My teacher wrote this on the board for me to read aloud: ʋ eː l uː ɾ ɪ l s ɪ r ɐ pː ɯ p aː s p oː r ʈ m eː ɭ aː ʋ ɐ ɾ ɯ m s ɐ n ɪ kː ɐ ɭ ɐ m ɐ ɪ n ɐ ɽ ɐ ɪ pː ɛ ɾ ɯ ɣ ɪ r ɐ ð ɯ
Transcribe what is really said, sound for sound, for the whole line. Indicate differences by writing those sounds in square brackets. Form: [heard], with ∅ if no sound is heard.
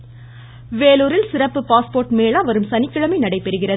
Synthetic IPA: ʋ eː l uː ɾ ɪ l s ɪ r ɐ pː ɯ p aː s p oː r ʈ m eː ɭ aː ʋ ɐ ɾ ɯ m s ɐ n ɪ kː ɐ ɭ ɐ m ɐ ɪ n ɐ ɽ ɐ ɪ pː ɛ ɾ ɯ ɣ ɪ r ɐ ð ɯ